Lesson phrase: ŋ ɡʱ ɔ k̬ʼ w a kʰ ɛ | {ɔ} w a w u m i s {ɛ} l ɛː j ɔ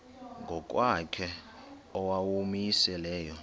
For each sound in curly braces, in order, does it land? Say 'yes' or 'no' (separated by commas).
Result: yes, yes